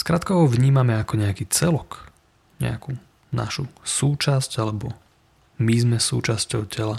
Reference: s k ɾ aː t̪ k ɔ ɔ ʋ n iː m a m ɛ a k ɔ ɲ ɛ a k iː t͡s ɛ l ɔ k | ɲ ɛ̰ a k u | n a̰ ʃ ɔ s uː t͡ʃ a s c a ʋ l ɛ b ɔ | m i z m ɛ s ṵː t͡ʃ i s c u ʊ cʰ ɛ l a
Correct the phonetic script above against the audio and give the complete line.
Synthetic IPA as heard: s k ɾ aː t̪ k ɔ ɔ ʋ ɲ iː m a m ɛ a k ɔ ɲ ɛ a k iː t͡s ɛ l ɔ k | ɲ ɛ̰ a k u | n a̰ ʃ u s uː t͡ʃ a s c a l ɛ b ɔ | m i z m ɛ s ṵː t͡ʃ a s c ɔ ʊ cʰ ɛ l a